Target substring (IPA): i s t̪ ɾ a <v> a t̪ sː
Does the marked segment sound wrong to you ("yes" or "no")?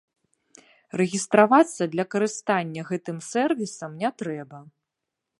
no